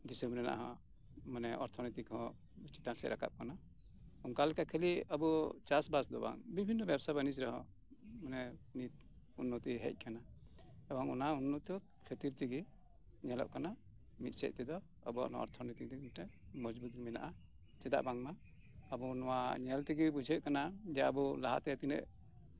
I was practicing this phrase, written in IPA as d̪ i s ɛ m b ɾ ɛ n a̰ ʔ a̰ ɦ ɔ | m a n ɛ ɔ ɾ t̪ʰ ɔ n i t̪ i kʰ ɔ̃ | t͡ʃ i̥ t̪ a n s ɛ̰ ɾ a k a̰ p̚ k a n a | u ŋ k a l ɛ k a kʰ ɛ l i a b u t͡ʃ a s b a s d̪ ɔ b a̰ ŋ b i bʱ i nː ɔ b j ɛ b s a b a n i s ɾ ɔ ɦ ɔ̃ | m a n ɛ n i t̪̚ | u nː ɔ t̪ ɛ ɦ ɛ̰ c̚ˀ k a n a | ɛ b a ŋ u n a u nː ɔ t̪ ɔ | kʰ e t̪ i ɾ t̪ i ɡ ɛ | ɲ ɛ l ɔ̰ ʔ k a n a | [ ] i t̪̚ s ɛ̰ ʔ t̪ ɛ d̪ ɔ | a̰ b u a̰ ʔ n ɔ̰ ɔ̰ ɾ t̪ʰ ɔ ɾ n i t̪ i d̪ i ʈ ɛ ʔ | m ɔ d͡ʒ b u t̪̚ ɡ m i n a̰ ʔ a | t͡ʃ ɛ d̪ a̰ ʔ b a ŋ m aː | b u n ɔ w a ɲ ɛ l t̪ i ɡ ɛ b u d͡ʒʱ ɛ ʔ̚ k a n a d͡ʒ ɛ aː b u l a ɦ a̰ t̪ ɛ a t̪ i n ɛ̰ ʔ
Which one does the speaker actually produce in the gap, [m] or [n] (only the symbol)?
m